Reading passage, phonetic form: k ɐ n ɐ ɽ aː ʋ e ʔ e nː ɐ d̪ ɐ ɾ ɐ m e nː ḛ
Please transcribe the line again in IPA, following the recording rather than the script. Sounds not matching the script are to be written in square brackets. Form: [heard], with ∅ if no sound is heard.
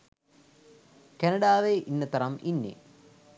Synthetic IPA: k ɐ n ɐ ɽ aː ʋ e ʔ [i] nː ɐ [t̪] ɐ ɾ ɐ m [i] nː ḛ

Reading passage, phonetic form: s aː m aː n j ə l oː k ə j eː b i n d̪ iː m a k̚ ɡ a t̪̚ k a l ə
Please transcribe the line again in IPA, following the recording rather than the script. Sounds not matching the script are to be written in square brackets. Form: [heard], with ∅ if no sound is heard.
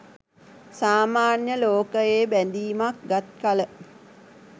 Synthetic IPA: s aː m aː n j ə l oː k ə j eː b [æ] n d̪ iː m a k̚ ɡ a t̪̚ k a l ə

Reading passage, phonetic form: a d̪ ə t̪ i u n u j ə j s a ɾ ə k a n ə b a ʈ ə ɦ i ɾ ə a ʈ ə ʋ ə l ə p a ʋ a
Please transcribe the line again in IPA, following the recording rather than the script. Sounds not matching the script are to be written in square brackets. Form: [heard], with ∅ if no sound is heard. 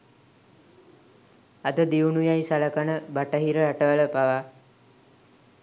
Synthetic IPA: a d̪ ə [d̪] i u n u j [a] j s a [l] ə k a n ə b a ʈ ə ɦ i ɾ ə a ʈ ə ʋ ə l ə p a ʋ a

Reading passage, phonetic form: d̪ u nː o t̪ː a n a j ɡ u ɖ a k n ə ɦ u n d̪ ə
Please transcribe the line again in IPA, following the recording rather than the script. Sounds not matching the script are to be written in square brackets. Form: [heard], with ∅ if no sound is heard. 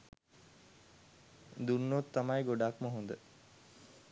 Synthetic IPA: d̪ u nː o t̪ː a [m] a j ɡ [o] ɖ a k [m] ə ɦ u n d̪ ə

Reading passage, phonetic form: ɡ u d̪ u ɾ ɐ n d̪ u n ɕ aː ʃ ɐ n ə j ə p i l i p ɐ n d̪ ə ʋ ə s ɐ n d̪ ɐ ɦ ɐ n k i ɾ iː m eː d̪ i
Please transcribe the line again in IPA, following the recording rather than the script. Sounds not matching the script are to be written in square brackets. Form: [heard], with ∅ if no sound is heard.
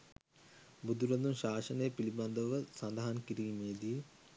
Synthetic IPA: [b] u d̪ u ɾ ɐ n d̪ u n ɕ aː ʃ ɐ n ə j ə p i l i [b] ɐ n d̪ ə ʋ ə s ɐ n d̪ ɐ ɦ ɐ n k i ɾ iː m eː d̪ i

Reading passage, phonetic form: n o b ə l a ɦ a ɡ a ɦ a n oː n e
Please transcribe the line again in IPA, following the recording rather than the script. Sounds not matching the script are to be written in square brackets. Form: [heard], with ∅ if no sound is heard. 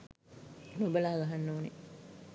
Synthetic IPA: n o b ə l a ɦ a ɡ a ɦ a [nː] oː n e

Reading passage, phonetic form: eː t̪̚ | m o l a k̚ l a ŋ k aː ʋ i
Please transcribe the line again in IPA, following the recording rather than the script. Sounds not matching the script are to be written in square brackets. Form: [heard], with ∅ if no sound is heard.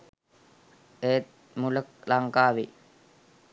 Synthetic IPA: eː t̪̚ | m [u] l [ə] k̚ l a ŋ k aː ʋ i

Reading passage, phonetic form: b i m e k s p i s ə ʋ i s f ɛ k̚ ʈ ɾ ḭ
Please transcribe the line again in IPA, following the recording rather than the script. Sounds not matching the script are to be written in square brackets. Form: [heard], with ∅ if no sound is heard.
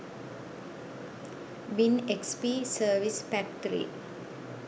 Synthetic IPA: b i [n] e k s p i s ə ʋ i s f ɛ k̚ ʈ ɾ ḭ

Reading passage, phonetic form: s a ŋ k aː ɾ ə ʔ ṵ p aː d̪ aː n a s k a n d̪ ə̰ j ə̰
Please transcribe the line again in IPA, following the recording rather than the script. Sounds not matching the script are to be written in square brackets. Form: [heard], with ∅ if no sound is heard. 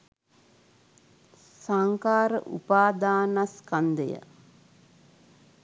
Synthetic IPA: s a ŋ k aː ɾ ə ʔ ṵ p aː d̪ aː n a s k a n d̪ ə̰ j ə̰

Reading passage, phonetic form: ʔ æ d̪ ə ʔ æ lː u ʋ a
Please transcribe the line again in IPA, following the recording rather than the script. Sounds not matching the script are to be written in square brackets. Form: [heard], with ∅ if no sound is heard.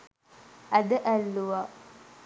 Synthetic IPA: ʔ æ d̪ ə ʔ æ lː u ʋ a

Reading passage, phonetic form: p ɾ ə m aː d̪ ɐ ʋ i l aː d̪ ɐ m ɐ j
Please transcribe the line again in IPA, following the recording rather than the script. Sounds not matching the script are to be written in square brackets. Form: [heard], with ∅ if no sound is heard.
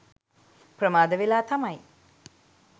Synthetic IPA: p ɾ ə m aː d̪ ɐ ʋ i l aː [t̪] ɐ m ɐ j

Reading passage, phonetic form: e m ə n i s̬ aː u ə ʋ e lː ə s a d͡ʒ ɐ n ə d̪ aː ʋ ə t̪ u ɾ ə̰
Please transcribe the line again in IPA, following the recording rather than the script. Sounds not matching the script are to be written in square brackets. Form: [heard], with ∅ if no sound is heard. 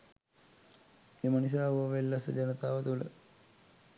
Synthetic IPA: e m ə n i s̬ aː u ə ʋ e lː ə s [ə] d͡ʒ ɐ n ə [t̪] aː ʋ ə t̪ u [l] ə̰

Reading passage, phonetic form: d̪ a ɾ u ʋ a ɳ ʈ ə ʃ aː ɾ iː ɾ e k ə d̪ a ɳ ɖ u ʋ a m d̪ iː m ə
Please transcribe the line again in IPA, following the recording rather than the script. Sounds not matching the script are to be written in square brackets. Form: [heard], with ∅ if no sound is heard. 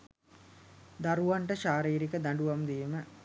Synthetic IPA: d̪ a ɾ u ʋ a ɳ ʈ ə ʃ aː ɾ iː ɾ [i] k ə d̪ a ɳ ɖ u ʋ a m d̪ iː m ə

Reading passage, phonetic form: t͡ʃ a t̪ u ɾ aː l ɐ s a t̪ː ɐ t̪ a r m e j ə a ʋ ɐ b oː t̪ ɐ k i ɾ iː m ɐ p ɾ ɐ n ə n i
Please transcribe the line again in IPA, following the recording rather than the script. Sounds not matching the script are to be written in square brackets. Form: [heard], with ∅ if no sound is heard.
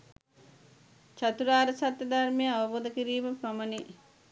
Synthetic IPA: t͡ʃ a t̪ u ɾ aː [ɾ] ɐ s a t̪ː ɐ [d̪] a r m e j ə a ʋ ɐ b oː [d̪] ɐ k i ɾ iː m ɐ p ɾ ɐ [m] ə n i

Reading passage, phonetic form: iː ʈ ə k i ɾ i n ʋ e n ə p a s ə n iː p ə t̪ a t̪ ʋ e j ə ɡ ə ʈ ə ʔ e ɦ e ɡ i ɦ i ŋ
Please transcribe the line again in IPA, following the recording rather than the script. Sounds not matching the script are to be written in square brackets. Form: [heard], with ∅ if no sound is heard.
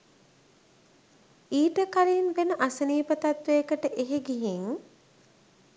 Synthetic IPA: iː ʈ ə k [a] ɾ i n ʋ e n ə [ʔ] a s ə n iː p ə t̪ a t̪ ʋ e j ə [k] ə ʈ ə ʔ e ɦ e ɡ i ɦ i ŋ

